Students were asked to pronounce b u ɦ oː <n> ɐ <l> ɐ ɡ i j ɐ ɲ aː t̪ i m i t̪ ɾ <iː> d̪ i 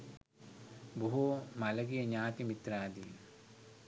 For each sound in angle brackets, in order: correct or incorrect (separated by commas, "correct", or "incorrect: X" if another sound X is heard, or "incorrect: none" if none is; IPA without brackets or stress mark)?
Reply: incorrect: m, correct, incorrect: aː